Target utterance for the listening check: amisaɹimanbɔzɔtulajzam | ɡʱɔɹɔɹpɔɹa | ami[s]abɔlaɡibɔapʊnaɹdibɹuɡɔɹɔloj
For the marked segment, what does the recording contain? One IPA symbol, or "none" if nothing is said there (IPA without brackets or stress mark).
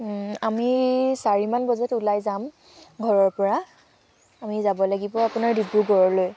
z